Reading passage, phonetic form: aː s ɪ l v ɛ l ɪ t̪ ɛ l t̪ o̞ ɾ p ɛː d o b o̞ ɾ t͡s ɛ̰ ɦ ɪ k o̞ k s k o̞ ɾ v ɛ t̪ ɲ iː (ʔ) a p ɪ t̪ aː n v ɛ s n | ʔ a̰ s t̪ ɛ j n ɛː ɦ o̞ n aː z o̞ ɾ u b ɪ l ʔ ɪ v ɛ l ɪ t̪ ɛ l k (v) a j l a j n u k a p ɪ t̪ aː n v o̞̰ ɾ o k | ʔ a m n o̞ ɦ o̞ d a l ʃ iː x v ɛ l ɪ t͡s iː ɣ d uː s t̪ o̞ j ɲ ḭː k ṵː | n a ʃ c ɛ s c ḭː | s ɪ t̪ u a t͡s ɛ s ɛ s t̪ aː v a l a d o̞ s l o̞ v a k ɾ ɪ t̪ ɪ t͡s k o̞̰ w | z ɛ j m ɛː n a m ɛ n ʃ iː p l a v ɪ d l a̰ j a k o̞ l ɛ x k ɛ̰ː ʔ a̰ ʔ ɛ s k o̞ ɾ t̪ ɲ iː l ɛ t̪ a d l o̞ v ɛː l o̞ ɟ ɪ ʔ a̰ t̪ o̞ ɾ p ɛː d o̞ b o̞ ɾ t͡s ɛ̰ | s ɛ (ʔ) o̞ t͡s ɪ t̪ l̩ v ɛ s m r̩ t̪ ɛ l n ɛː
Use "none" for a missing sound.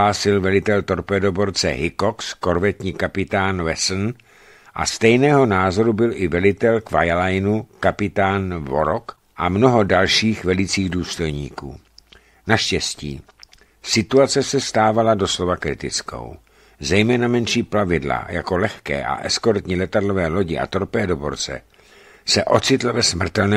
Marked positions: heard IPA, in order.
k, v, ʔ

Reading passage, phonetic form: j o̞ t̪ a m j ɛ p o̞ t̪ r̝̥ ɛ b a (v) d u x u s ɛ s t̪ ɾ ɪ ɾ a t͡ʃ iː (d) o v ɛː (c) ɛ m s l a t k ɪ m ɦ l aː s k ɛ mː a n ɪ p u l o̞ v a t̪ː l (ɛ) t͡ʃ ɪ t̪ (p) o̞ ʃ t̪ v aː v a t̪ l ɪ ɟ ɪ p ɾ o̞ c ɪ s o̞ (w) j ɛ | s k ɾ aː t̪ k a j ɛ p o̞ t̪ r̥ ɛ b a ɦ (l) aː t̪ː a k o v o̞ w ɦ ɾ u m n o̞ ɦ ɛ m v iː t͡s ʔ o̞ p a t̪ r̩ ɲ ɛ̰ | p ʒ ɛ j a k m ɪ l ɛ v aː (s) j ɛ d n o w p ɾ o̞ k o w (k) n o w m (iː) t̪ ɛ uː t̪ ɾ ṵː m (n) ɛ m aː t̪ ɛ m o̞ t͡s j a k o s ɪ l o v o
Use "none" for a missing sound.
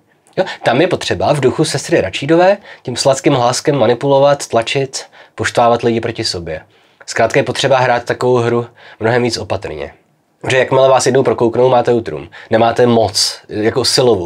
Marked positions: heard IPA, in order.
v, d, c, a, p, b, ɾ, s, k, aː, n

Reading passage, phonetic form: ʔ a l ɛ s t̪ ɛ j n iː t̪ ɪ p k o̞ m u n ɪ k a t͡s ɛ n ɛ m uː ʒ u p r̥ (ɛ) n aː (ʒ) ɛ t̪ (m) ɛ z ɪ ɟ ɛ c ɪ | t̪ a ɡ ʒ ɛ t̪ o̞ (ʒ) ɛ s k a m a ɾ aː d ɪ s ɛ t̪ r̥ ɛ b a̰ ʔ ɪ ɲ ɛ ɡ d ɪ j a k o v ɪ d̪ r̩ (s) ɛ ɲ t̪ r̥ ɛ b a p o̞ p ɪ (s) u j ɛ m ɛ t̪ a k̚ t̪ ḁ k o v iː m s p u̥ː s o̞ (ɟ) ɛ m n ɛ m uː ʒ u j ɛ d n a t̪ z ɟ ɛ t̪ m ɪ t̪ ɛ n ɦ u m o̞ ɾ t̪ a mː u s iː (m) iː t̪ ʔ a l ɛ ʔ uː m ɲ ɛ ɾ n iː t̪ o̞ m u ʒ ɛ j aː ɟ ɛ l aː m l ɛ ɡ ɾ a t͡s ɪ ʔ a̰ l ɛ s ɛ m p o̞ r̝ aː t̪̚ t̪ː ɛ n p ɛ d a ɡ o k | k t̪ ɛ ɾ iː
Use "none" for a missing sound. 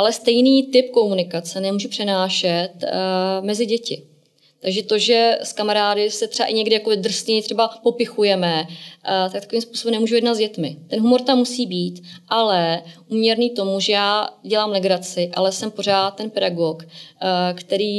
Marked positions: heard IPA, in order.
ɛ, ʃ, m, ʒ, s, x, b, b

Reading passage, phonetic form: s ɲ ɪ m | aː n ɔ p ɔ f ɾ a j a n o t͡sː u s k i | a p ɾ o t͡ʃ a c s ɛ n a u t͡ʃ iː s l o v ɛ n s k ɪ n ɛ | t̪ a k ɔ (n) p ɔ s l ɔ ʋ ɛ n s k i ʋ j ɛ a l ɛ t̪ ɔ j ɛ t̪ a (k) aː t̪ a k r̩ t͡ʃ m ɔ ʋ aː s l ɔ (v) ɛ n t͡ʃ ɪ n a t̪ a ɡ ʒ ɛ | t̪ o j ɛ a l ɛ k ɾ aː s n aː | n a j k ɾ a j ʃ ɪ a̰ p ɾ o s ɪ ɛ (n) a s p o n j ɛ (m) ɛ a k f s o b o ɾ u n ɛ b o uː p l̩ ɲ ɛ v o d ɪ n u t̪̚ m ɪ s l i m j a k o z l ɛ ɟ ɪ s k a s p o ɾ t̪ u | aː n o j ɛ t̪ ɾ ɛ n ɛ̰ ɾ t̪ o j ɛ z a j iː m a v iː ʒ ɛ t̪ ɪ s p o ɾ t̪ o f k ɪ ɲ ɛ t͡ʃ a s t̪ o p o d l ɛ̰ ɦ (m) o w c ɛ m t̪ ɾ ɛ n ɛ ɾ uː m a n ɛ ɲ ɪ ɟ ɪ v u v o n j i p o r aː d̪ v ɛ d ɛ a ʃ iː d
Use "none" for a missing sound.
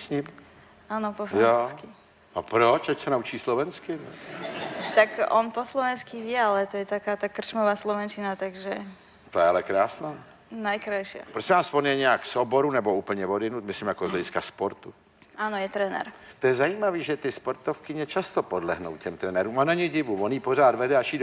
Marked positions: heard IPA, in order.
n, k, ʋ, m, ɲ, n

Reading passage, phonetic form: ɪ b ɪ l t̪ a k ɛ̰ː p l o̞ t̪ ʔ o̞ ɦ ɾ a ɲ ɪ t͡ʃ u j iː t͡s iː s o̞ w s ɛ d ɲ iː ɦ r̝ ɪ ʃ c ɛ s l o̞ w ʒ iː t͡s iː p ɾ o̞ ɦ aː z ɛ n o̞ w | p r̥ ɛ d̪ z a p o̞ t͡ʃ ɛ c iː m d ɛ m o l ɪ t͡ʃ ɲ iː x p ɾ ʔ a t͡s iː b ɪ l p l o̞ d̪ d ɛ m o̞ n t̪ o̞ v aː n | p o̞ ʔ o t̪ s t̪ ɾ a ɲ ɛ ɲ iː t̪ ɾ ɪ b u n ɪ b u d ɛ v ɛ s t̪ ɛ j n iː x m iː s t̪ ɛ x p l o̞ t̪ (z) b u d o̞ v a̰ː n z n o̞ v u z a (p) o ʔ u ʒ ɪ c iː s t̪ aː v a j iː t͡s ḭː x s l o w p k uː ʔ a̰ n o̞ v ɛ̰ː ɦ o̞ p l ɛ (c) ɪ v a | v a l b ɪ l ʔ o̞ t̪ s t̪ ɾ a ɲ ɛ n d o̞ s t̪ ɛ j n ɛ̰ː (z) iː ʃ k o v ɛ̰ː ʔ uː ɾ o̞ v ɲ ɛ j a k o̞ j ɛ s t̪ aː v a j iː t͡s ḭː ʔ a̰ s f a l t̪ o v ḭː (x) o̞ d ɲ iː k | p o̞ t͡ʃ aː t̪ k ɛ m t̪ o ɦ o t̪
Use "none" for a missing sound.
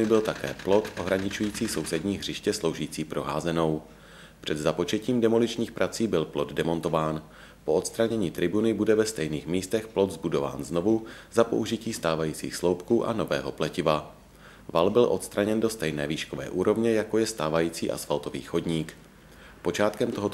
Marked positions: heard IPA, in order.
z, p, c, v, x

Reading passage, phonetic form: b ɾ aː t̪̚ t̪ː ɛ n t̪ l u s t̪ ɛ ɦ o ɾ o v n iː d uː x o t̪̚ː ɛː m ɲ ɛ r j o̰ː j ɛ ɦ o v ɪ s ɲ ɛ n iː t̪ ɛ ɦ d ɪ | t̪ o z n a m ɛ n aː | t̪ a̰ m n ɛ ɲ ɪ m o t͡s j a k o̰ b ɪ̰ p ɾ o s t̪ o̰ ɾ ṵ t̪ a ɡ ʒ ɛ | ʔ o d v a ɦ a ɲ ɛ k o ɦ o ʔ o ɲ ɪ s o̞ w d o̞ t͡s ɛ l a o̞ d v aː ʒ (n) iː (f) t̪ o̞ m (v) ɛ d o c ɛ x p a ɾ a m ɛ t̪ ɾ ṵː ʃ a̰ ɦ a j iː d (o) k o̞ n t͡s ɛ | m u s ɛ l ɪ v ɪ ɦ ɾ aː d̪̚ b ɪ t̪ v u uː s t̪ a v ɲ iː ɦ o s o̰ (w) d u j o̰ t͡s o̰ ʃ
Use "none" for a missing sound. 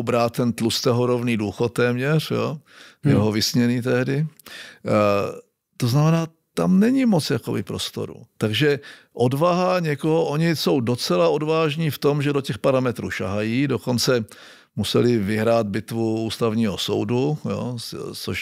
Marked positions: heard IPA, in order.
ɲ, f, ʒ, o, w

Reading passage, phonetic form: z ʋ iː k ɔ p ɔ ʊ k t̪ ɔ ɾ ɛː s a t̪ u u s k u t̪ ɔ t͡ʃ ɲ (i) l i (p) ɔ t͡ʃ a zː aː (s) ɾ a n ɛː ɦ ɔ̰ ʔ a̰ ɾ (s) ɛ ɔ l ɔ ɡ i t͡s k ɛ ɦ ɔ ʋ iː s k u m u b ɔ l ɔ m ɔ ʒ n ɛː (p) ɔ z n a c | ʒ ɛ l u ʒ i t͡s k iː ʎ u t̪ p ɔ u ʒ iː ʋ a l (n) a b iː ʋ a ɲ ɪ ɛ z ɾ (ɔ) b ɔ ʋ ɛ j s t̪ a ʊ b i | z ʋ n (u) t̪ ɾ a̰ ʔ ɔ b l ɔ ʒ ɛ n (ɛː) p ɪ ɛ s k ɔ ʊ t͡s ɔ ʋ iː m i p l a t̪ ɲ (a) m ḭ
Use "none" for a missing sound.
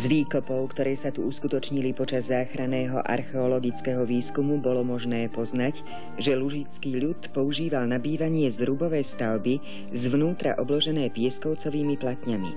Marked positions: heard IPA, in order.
i, p, x, x, p, n, u, uː, ɛː, a

